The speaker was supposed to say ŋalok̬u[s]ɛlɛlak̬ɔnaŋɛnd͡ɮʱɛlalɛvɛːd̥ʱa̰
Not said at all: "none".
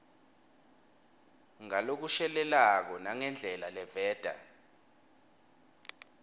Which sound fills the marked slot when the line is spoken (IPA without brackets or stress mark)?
ʃ